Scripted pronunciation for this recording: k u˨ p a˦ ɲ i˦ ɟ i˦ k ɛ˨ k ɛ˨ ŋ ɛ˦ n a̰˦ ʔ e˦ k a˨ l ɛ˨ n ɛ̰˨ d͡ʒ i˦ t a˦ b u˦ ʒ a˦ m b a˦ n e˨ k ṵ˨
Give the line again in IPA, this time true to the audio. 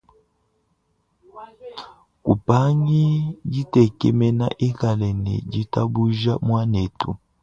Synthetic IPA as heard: k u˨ p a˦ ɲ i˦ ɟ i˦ t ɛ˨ k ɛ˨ m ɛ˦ n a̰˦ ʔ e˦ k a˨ l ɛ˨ n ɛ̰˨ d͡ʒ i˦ t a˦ b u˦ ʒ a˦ m w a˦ n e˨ t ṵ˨